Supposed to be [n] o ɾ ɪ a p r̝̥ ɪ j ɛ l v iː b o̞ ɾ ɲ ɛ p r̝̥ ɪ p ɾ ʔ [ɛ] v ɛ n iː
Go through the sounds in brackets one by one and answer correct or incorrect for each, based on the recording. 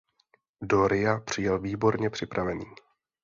incorrect: d, incorrect: a

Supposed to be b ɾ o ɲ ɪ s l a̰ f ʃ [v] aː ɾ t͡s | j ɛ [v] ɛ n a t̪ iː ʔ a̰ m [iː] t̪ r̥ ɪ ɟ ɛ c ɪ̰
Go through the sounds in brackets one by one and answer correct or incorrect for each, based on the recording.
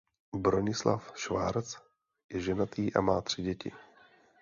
correct, incorrect: ʒ, incorrect: aː

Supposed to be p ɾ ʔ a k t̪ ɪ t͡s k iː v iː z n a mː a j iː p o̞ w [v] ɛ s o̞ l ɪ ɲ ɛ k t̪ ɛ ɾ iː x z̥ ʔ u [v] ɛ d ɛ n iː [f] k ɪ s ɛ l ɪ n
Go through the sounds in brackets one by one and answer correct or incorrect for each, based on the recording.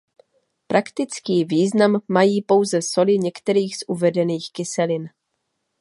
incorrect: z, correct, incorrect: x

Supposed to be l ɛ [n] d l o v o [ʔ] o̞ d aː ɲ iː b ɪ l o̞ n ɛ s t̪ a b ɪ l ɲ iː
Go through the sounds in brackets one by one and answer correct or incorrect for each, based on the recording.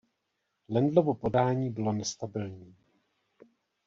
correct, incorrect: p

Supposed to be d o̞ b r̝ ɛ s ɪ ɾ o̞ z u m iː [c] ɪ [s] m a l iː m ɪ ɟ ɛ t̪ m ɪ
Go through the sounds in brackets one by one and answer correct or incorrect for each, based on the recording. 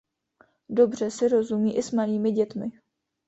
incorrect: ʔ, correct

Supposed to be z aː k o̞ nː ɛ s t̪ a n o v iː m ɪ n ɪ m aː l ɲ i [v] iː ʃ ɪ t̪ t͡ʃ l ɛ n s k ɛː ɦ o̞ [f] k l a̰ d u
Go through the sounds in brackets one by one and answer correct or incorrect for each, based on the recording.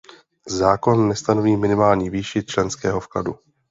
correct, correct

